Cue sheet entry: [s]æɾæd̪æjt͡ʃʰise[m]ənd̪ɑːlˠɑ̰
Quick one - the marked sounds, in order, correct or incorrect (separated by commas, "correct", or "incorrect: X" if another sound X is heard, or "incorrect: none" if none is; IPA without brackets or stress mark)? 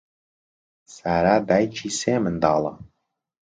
correct, correct